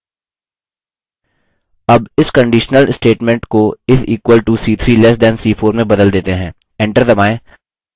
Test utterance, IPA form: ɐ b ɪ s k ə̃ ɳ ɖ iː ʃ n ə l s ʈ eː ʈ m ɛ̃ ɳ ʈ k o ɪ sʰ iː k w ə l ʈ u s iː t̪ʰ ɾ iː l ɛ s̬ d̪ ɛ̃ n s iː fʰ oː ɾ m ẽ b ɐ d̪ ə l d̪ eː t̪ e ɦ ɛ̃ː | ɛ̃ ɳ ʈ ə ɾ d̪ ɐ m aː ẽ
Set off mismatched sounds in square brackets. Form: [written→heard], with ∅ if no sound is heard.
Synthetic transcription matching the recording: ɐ b ɪ s k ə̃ ɳ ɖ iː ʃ n ə l s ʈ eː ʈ m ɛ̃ ɳ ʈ k o ɪ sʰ iː k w ə l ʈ u s iː t̪ʰ ɾ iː l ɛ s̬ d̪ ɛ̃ n s iː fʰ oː ɾ m ẽ b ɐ d̪ ə l d̪ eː t̪ e ɦ ɛ̃ː | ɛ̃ ɳ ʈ ə ɾ d̪ ɐ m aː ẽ